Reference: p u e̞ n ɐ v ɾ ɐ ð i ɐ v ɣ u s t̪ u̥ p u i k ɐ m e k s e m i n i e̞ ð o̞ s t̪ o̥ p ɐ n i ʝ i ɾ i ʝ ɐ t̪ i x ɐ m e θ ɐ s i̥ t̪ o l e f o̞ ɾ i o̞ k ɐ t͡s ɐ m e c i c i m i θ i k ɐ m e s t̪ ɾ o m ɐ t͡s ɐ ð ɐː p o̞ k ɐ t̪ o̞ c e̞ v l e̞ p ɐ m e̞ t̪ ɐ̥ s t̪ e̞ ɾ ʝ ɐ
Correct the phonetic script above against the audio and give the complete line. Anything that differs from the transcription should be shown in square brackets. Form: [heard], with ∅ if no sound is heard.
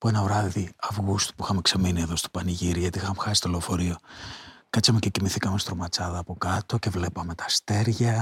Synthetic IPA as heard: p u e̞ n ɐ v ɾ ɐ ð i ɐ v ɣ u s t̪ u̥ p u i [x] ɐ m e k s e m i n i e̞ ð o̞ s t̪ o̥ p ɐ n i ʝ i ɾ i ʝ ɐ t̪ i x ɐ m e [x] ɐ s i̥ t̪ o l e f o̞ ɾ i o̞ k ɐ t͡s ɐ m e c [e] c i m i θ i k ɐ m e s t̪ ɾ o m ɐ t͡s ɐ ð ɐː p o̞ k ɐ t̪ o̞ c e̞ v l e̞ p ɐ m e̞ t̪ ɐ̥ s t̪ e̞ ɾ ʝ ɐ